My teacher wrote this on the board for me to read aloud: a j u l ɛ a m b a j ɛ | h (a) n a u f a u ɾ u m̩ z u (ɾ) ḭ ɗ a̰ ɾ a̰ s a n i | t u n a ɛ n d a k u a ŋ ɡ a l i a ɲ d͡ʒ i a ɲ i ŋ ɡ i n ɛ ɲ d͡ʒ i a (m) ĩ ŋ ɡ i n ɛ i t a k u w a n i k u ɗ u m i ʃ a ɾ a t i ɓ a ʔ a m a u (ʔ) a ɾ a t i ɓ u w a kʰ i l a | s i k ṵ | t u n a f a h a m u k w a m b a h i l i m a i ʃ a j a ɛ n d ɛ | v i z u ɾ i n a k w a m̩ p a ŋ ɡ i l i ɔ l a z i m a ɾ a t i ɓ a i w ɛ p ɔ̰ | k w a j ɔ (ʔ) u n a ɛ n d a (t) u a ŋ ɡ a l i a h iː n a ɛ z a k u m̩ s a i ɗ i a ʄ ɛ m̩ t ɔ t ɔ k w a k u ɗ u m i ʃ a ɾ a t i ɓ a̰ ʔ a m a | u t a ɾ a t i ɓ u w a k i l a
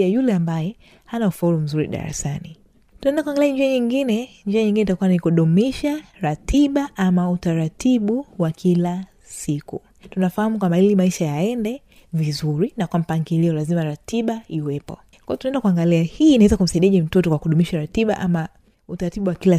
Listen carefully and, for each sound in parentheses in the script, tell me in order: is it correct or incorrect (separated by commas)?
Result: correct, correct, incorrect, incorrect, incorrect, incorrect